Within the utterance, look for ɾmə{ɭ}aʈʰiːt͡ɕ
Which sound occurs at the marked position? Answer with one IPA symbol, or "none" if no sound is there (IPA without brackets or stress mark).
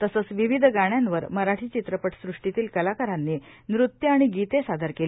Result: ɾ